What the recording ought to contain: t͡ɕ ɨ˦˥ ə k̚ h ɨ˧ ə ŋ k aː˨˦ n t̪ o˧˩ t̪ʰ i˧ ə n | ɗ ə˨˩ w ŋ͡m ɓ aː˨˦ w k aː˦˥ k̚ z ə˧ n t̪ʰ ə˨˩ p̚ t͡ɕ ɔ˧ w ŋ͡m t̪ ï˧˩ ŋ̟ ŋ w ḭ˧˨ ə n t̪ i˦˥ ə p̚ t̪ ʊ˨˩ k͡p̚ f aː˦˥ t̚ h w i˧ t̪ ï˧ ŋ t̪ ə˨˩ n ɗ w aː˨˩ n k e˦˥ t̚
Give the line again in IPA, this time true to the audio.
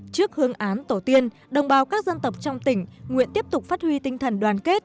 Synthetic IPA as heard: t͡ɕ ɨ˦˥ ə k̚ h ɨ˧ ə ŋ ʔ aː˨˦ n t̪ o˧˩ t̪ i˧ ə n | ɗ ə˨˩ w ŋ͡m ɓ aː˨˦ w k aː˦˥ k̚ z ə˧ n t̪ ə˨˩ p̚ t͡ɕ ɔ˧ w ŋ͡m t̪ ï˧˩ ŋ̟ ŋ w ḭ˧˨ ə n t̪ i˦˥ ə p̚ t̪ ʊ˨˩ k͡p̚ f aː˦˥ t̚ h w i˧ t̪ ï˧ ŋ t̪ʰ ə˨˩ n ɗ w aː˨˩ n k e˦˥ t̚